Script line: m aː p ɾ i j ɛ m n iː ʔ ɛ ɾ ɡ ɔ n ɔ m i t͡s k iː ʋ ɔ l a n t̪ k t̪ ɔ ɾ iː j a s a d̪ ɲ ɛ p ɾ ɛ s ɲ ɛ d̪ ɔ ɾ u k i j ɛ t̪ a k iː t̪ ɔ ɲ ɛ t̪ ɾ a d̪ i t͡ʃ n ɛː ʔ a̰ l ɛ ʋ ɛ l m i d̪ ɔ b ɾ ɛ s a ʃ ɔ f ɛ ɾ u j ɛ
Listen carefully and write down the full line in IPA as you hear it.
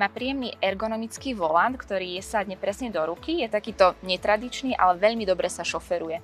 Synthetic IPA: m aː p ɾ i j ɛ m n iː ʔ ɛ ɾ ɡ ɔ n ɔ m i t͡s k iː ʋ ɔ l a n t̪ k t̪ ɔ ɾ iː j ɛ s a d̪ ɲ ɛ p ɾ ɛ s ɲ ɛ d̪ ɔ ɾ u k i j ɛ t̪ a k iː t̪ ɔ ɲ ɛ t̪ ɾ a d̪ i t͡ʃ n iː ʔ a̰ l ɛ ʋ ɛ ʎ m i d̪ ɔ b ɾ ɛ s a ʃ ɔ f ɛ ɾ u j ɛ